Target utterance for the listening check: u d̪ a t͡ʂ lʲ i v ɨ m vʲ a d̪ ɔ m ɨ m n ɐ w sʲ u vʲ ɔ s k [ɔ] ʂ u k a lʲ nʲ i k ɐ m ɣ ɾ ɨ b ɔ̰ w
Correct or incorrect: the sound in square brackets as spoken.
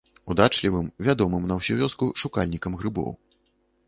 incorrect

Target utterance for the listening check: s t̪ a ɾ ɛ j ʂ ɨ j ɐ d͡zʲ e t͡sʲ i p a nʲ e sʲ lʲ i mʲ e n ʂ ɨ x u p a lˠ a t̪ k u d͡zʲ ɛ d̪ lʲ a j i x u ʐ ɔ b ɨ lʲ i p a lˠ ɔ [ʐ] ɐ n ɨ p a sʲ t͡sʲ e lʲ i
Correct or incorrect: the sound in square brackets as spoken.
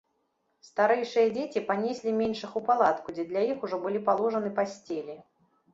correct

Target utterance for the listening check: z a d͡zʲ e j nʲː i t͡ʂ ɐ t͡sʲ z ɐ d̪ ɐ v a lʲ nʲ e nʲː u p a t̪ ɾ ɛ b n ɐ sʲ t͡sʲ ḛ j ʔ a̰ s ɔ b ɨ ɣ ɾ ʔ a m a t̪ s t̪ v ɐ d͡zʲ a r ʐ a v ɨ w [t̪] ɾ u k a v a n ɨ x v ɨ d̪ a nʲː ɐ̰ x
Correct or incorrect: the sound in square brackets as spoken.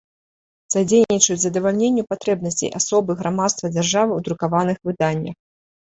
incorrect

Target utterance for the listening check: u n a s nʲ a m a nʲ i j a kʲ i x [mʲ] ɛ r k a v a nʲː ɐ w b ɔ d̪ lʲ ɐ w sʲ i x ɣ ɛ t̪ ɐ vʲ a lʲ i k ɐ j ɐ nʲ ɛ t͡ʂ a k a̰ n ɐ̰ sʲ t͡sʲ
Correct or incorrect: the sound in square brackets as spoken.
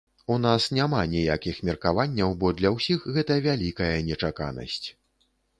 correct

